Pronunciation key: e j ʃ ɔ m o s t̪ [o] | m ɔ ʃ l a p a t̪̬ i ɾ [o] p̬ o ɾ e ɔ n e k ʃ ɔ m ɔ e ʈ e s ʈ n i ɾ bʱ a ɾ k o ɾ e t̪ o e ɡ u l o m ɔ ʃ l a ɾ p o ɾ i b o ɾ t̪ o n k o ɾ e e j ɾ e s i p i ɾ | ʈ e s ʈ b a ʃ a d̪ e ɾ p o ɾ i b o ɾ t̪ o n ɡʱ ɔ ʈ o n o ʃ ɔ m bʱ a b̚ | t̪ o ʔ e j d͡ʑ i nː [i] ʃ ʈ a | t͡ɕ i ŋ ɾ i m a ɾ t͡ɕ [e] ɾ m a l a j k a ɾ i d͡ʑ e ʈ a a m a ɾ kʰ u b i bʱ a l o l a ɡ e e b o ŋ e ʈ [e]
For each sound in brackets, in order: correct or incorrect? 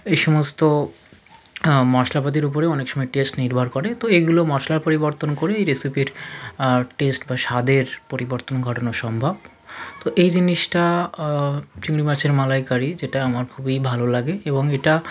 correct, incorrect, correct, correct, incorrect

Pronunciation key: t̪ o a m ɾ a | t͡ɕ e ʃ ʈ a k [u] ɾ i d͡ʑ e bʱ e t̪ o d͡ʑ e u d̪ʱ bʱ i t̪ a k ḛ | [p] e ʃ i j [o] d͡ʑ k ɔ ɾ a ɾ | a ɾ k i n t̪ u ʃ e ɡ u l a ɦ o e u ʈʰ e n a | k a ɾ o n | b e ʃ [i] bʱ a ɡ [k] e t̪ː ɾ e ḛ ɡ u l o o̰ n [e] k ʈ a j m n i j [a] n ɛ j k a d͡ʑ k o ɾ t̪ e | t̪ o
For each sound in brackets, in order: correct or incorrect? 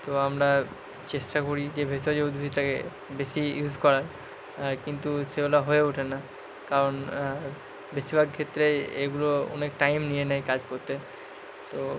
incorrect, incorrect, incorrect, correct, incorrect, correct, incorrect

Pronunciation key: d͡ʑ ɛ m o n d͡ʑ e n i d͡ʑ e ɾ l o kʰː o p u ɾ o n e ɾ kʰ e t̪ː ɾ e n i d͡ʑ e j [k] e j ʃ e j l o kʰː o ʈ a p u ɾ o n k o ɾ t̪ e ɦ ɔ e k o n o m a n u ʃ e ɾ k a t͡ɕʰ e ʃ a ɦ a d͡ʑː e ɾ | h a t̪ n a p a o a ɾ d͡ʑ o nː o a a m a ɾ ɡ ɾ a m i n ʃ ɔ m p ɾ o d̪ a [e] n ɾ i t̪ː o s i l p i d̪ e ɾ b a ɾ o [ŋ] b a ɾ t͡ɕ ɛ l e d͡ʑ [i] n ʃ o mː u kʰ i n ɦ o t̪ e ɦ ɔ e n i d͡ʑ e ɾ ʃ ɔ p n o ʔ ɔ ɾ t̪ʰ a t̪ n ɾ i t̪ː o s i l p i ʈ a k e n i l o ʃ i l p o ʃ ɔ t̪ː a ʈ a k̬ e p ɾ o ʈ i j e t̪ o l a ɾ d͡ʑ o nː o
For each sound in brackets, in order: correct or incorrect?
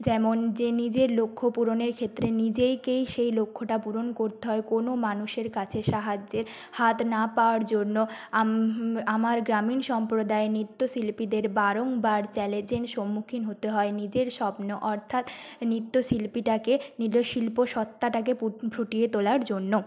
correct, correct, correct, incorrect

